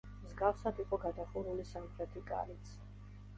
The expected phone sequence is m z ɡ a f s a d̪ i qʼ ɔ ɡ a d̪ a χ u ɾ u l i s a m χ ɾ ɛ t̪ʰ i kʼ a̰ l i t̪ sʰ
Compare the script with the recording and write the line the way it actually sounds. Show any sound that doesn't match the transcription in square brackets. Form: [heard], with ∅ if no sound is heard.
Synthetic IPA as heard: m z ɡ a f s a d̪ i qʼ ɔ ɡ a d̪ a χ u ɾ u l i s a m χ ɾ ɛ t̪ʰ i kʼ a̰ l i t̪ sʰ